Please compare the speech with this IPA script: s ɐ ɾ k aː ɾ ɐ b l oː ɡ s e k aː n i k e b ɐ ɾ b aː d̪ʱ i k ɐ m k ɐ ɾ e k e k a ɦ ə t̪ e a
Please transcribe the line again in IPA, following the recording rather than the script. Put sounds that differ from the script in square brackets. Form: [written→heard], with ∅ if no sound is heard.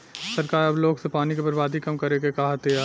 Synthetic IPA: s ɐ ɾ k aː ɾ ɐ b l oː ɡ s e [k→p] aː n i k e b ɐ ɾ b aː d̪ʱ i k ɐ m k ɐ ɾ e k e k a ɦ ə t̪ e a